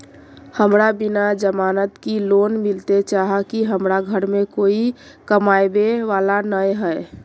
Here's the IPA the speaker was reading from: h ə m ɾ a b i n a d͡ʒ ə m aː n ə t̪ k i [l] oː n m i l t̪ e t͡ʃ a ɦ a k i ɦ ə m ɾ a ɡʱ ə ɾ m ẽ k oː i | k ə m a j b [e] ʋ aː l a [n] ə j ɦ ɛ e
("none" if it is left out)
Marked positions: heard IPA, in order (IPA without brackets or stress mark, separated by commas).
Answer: l, e, n